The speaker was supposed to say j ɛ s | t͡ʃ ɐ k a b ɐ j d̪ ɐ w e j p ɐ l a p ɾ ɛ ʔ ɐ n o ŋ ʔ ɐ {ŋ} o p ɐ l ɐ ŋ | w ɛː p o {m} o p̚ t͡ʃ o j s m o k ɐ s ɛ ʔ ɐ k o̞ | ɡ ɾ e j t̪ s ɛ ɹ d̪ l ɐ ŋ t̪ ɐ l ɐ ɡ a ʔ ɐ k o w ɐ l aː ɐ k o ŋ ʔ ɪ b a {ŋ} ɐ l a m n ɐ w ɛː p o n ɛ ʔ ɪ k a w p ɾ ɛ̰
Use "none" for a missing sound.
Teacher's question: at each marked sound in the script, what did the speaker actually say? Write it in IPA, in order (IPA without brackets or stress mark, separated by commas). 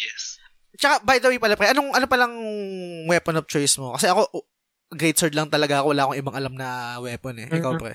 n, n, ŋ